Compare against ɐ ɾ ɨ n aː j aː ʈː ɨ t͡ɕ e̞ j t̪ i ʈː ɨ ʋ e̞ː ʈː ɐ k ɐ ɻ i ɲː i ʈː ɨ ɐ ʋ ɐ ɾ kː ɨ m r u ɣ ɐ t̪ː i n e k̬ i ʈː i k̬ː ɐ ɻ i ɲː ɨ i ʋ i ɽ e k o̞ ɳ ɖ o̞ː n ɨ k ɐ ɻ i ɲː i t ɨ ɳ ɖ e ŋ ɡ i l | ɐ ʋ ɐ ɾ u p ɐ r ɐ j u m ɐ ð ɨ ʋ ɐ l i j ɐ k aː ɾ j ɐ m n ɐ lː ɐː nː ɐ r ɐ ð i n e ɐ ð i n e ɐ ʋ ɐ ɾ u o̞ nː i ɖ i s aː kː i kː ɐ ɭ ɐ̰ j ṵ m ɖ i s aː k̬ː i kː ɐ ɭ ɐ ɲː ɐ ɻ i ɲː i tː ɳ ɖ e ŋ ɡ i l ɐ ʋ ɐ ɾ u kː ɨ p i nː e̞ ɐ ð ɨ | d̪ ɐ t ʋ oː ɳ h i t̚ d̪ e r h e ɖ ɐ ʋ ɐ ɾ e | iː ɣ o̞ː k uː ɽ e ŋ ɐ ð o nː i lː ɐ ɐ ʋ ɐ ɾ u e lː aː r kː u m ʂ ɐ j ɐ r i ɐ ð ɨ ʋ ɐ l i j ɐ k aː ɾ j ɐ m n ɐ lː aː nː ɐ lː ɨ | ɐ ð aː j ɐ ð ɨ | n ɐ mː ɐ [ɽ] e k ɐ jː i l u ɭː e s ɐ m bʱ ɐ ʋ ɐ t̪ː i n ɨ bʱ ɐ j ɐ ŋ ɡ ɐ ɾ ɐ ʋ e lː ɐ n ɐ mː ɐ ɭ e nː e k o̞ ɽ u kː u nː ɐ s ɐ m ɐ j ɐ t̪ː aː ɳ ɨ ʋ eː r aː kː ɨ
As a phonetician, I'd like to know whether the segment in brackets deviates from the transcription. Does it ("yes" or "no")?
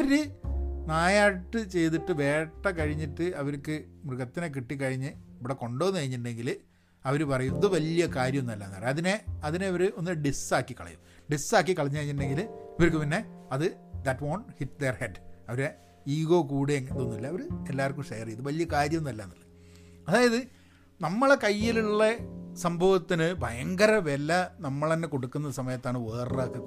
yes